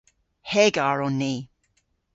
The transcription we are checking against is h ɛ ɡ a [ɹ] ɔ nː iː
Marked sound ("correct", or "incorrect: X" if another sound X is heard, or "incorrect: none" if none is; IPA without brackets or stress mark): correct